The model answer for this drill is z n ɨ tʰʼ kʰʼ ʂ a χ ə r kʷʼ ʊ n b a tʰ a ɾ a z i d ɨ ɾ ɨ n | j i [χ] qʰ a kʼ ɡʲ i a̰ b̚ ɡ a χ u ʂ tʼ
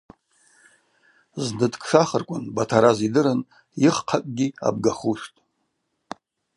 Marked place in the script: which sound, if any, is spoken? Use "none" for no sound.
χ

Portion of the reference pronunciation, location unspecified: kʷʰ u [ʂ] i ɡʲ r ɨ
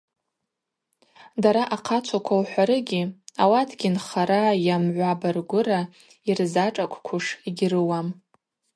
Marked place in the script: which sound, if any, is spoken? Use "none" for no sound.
ʂ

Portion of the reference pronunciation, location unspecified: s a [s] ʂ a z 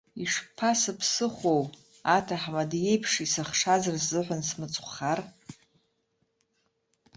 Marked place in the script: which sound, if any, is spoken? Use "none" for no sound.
χ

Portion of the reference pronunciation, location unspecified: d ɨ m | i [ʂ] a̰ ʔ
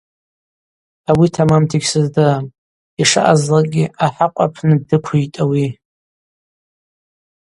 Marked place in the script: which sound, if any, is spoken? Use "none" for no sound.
ʂ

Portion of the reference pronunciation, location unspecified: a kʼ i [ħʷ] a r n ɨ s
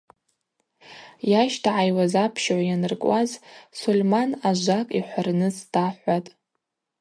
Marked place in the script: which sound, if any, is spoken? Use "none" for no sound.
ħʷ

